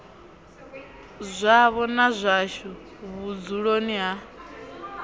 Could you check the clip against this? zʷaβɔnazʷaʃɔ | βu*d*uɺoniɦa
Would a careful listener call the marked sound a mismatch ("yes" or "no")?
yes